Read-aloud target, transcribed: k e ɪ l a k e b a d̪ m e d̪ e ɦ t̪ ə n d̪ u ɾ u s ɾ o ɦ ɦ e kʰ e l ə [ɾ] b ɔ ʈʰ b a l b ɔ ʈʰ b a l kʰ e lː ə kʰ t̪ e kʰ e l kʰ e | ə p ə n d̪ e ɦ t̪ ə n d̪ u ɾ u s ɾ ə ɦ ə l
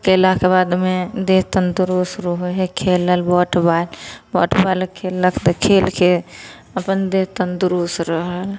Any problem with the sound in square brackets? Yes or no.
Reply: yes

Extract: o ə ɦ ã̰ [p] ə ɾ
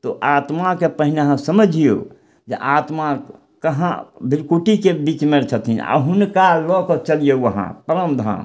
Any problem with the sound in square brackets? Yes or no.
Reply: no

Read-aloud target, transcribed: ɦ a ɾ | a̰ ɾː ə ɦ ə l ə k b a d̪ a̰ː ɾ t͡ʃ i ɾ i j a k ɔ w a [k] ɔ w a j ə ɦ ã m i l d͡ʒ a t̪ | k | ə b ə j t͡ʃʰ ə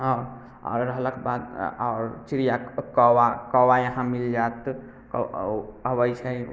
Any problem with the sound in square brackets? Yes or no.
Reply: no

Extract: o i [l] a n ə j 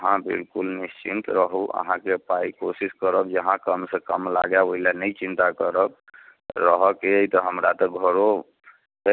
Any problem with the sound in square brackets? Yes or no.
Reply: no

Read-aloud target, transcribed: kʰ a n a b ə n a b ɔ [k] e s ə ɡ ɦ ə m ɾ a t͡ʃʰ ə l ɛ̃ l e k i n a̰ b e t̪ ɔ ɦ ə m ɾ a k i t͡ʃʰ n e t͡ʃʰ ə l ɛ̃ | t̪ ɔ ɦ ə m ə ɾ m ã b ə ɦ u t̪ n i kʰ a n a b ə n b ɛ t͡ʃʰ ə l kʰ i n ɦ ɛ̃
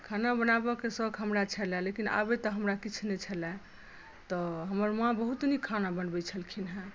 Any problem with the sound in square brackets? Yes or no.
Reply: no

